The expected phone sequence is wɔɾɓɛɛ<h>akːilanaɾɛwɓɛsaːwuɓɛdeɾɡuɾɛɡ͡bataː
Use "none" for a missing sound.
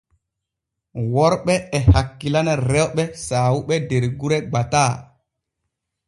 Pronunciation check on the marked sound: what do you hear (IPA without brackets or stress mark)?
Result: h